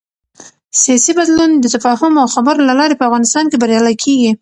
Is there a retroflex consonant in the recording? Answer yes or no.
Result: no